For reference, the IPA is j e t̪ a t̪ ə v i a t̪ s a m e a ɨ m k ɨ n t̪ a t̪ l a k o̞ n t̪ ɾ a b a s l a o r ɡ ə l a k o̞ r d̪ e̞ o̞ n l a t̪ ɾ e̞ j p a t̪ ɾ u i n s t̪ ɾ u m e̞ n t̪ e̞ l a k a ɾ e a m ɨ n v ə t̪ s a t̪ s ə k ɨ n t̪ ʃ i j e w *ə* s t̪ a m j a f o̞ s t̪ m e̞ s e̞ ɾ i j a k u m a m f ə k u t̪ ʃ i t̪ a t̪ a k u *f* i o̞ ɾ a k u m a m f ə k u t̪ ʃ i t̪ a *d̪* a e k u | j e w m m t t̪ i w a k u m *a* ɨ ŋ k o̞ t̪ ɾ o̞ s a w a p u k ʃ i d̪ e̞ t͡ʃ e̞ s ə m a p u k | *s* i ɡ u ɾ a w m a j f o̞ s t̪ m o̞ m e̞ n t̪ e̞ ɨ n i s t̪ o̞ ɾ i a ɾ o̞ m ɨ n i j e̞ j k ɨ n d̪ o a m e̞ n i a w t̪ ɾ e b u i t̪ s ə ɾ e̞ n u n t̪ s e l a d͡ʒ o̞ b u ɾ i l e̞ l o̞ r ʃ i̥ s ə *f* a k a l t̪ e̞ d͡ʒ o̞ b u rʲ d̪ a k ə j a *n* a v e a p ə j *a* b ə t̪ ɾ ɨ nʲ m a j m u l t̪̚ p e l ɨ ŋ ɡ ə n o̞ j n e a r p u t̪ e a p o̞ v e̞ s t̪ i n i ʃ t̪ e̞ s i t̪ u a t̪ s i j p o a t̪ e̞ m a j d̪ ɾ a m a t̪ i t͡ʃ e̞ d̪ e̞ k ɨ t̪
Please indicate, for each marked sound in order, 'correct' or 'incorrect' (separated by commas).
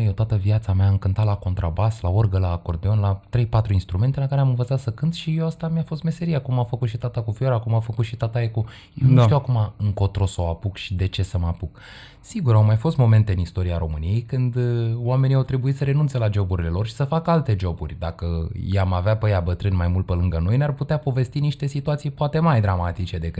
incorrect, correct, incorrect, correct, correct, correct, incorrect, correct